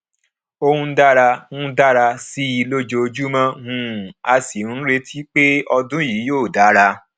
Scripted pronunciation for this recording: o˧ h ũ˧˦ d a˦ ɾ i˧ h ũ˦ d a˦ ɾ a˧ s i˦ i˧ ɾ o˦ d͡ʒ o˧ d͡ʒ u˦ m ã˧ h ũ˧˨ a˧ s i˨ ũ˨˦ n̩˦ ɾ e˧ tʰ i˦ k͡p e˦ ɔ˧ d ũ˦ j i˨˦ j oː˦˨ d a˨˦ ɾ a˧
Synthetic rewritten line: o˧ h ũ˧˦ d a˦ ɾ a˧ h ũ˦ d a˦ ɾ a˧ s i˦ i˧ l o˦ d͡ʒ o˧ d͡ʒ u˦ m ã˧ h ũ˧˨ a˧ s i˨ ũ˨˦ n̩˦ ɾ e˧ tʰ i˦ k͡p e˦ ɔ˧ d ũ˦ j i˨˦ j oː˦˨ d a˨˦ ɾ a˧